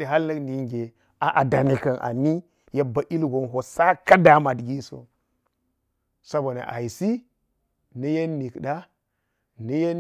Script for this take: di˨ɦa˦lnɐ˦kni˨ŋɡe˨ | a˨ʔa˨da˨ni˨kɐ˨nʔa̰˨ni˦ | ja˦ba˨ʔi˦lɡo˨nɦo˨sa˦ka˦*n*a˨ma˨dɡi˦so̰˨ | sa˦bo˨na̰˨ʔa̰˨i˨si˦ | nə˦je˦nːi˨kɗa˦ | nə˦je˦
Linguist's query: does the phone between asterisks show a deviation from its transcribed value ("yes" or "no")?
yes